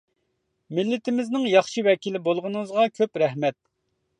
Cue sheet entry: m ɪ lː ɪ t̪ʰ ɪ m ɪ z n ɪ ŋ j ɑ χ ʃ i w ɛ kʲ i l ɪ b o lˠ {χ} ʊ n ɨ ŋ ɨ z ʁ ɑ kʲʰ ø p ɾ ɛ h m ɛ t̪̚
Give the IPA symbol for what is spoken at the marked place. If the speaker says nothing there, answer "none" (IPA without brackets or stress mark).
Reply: ʁ